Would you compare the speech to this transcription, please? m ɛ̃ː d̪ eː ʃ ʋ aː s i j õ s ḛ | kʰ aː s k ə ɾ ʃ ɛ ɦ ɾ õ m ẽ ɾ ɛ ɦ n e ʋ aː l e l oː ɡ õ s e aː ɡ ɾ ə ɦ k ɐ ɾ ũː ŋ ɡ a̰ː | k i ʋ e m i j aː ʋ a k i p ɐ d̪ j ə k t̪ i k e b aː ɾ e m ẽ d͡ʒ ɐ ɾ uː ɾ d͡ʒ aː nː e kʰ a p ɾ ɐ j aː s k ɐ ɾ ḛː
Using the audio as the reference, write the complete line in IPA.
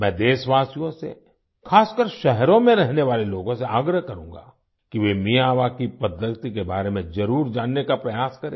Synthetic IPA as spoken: m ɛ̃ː d̪ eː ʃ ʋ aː s i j õ s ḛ | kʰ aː s k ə ɾ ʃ ɛ ɦ ɾ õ m ẽ ɾ ɛ ɦ n e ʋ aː l e l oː ɡ õ s e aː ɡ ɾ ə ɦ k ɐ ɾ ũː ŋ ɡ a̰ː | k i ʋ e m i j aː ʋ a k i p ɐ d̪ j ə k t̪ i k e b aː ɾ e m ẽ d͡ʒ ɐ ɾ uː ɾ d͡ʒ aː nː e k a p ɾ ɐ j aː s k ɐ ɾ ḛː